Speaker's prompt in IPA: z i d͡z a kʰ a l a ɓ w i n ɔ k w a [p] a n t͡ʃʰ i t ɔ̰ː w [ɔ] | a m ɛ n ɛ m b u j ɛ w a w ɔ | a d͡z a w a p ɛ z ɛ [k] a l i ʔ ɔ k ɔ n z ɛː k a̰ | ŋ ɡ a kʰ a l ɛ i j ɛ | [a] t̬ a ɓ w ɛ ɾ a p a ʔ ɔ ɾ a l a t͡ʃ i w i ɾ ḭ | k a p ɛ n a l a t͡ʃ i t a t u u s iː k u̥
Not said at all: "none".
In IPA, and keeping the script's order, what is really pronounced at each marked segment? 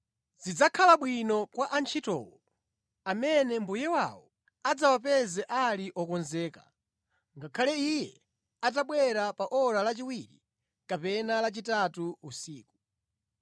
ʔ, ɔ, ʔ, a

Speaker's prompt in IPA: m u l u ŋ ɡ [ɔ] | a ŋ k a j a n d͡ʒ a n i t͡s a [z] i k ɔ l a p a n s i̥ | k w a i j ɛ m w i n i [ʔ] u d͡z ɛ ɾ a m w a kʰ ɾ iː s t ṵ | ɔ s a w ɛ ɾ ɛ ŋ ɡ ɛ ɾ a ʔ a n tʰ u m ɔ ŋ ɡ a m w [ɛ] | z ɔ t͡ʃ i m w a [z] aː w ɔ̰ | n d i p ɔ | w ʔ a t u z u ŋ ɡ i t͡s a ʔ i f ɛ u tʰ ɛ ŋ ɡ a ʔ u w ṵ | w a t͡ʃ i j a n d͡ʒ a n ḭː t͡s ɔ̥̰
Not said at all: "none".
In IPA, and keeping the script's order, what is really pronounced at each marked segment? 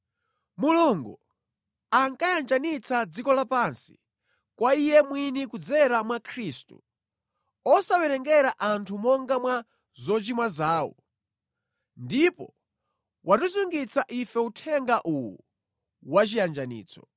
u, d͡z, k, a, z

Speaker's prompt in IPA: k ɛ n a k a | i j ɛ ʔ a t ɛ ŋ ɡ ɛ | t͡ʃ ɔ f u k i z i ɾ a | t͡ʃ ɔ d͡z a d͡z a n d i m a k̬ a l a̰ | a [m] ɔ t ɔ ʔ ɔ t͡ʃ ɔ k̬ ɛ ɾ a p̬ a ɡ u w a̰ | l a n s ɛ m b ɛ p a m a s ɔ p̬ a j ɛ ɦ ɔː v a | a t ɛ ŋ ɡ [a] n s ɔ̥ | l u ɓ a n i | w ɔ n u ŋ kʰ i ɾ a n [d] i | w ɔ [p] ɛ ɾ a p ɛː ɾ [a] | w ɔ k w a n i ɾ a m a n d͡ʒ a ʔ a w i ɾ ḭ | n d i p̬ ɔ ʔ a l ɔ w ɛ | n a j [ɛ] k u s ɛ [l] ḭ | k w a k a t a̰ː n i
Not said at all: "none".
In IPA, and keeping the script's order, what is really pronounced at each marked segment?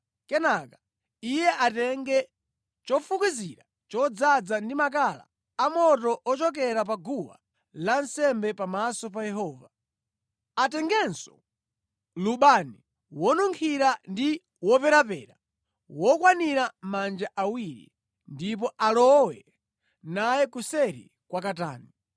m, ɛ, d, p, a, ɛ, ɾ

